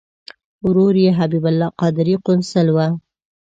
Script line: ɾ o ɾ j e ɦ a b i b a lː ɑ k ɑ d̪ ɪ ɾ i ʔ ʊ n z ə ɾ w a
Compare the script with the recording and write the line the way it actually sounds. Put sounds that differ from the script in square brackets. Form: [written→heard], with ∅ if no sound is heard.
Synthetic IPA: ɾ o ɾ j e ɦ a b i b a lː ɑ [k→q] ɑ d̪ ɪ ɾ i [ʔ→q] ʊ n [z→s] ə [ɾ→l] w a